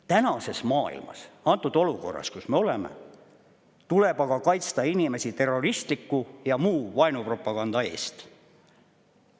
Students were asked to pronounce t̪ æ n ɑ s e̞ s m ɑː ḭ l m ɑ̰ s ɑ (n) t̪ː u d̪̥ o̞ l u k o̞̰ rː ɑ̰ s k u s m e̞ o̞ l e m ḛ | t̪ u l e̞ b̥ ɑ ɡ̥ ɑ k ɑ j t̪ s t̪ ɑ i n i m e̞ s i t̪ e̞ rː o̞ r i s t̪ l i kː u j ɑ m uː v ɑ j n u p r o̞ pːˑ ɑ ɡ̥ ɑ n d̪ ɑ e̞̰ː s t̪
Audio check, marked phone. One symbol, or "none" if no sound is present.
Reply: n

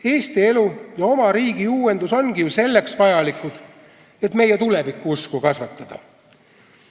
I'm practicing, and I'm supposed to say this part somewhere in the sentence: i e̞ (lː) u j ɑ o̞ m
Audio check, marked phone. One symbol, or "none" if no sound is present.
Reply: l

